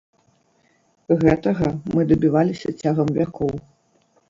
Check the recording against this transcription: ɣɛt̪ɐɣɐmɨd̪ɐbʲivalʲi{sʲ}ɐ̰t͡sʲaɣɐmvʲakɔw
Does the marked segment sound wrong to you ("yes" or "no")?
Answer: no